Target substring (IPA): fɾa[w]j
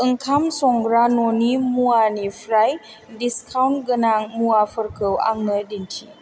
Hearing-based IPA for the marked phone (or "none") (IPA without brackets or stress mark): none